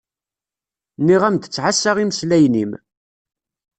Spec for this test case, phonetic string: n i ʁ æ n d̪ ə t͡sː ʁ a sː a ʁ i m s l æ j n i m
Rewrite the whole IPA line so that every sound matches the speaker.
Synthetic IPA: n i ʁ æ m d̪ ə t͡sː ʕ a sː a ʁ i m s l æ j n i m